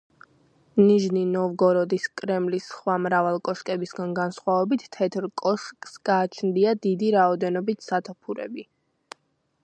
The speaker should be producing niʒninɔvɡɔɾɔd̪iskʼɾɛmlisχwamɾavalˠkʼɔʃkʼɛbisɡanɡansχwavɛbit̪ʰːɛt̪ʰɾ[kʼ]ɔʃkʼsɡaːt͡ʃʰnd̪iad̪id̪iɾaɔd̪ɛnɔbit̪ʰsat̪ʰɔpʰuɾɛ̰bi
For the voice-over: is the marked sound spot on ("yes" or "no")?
yes